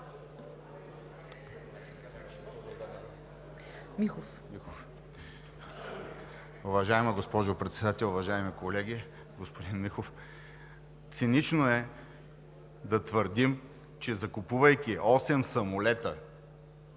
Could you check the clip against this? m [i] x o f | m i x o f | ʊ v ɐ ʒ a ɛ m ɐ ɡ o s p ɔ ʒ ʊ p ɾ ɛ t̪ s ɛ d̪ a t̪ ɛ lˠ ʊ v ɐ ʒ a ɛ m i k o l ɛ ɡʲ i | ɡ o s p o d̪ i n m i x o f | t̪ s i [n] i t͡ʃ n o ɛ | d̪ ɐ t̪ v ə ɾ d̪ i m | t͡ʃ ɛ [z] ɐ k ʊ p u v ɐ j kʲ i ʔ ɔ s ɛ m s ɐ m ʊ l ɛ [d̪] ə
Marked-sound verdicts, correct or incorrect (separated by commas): correct, correct, correct, incorrect